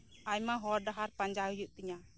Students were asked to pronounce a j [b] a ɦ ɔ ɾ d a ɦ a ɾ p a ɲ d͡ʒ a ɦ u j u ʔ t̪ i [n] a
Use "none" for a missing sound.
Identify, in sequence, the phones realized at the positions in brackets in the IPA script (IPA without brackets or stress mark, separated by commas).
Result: m, ɲ